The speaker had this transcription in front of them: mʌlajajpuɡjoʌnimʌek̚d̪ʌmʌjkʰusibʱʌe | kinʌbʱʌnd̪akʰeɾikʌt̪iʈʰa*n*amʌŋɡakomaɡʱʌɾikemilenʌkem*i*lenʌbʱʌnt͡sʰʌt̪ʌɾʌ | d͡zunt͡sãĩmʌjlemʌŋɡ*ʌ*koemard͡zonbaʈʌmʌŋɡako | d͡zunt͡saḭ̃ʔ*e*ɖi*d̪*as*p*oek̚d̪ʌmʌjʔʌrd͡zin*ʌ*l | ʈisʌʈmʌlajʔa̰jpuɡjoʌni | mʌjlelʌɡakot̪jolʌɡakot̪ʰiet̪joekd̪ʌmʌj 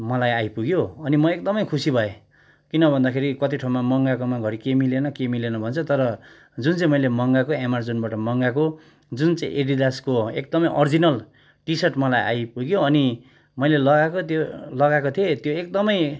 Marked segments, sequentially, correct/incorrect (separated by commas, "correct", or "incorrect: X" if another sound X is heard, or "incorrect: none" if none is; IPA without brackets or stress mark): incorrect: m, correct, incorrect: a, correct, correct, incorrect: k, correct